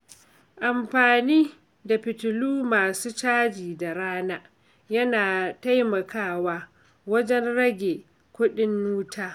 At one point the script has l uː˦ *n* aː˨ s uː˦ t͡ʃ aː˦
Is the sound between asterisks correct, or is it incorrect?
incorrect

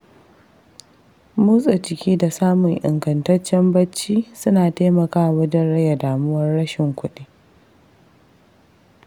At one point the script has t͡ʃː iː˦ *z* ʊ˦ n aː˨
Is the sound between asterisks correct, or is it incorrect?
incorrect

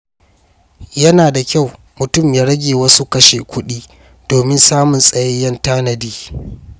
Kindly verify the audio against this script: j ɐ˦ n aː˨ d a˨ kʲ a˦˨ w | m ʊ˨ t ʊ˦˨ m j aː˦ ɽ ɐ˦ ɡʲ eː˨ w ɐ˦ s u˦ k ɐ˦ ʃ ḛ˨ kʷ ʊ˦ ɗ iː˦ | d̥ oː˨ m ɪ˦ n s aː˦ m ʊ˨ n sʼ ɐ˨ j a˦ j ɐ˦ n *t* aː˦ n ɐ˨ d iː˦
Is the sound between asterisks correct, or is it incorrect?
correct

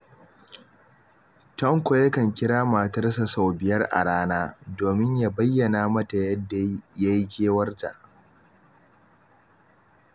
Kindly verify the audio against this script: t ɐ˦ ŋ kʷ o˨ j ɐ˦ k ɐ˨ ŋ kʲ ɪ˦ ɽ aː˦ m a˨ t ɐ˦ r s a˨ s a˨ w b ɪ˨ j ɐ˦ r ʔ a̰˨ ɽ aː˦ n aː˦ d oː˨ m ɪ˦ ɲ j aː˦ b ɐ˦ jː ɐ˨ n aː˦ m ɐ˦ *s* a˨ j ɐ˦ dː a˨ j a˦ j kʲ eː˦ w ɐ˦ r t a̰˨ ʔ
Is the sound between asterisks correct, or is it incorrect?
incorrect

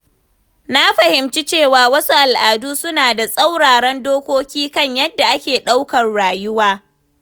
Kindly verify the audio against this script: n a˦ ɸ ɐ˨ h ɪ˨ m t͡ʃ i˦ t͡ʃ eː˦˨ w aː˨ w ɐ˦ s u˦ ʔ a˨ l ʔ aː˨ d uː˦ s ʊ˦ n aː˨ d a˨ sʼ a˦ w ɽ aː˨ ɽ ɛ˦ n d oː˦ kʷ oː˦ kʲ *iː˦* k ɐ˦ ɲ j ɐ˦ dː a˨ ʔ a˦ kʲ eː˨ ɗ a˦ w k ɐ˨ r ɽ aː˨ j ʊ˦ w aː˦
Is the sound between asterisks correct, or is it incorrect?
correct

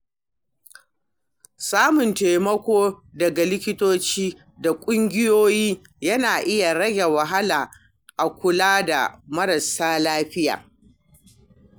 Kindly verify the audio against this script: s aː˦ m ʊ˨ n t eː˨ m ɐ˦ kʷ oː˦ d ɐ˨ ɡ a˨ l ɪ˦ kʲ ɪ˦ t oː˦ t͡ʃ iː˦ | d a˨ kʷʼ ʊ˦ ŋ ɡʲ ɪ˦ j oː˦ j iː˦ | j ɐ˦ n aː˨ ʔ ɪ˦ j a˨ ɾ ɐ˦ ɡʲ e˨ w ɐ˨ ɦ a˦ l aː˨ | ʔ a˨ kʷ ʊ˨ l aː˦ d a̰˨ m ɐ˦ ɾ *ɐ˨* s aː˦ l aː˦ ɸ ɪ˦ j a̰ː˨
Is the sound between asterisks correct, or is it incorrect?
correct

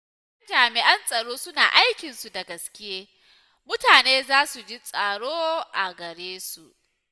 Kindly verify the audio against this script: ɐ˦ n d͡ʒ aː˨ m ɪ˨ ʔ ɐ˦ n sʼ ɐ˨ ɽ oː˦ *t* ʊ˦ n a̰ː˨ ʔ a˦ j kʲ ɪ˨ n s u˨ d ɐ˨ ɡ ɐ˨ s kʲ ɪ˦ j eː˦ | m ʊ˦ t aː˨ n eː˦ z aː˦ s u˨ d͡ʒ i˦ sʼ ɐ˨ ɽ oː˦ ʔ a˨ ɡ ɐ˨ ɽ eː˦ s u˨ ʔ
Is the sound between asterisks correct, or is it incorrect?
incorrect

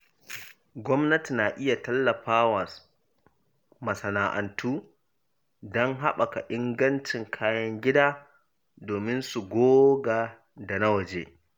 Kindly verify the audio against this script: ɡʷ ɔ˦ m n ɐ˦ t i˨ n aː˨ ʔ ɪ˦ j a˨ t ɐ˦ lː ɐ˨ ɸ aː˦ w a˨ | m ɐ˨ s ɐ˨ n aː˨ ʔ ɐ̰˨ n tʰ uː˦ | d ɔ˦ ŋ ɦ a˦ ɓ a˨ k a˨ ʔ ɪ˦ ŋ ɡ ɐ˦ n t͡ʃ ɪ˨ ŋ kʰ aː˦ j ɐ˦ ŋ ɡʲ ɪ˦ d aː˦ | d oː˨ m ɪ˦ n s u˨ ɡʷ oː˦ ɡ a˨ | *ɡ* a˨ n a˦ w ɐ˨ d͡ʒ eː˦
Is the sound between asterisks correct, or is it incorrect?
incorrect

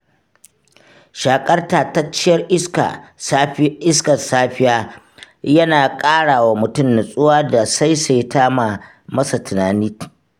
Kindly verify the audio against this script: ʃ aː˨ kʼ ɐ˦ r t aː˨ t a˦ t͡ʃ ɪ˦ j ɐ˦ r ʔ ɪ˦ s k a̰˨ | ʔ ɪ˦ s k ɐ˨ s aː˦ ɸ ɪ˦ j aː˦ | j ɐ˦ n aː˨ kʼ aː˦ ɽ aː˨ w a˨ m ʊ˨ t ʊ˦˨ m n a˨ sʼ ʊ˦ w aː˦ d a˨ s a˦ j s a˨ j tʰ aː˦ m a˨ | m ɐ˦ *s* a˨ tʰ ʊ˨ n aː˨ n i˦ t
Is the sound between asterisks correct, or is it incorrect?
correct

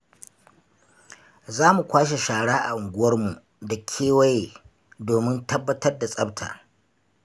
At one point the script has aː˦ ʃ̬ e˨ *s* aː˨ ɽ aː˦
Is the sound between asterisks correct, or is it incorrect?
incorrect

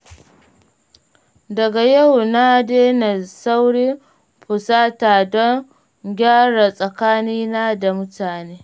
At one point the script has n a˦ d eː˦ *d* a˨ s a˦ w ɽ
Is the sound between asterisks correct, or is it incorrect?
incorrect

